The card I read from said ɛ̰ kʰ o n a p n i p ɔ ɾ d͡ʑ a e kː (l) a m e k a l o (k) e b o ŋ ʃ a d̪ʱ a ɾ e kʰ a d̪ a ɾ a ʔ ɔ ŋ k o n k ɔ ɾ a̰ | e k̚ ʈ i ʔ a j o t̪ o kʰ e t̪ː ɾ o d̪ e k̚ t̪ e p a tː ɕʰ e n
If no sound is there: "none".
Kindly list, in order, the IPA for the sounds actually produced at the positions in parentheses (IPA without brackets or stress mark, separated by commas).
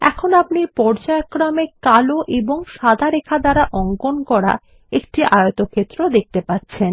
ɾ, ʔ